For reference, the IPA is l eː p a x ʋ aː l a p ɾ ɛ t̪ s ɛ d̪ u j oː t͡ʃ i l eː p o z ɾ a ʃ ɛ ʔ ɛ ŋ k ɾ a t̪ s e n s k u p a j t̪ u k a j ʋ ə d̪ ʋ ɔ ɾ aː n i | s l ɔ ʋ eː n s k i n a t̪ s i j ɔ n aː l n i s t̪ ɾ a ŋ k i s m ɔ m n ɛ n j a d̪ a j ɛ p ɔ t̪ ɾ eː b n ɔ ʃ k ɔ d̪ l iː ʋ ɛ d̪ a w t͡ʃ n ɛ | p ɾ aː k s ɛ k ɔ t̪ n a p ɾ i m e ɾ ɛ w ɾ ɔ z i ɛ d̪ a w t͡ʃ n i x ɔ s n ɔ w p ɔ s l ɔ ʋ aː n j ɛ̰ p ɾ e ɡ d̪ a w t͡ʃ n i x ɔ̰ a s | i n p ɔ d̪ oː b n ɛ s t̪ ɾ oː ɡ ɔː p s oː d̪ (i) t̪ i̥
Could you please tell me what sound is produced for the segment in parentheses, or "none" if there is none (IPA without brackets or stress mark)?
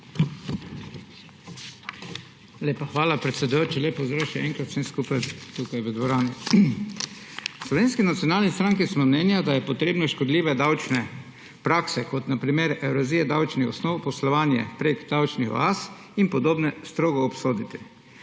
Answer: i